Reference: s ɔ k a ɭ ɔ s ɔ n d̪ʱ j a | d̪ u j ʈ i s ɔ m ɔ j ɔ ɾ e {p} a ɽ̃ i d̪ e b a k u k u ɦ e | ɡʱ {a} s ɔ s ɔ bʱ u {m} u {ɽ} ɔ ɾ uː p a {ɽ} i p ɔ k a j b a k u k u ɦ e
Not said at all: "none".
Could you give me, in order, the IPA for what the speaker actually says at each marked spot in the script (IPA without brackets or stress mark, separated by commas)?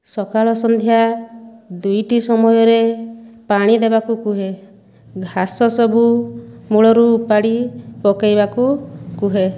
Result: p, a, m, ɭ, ɽ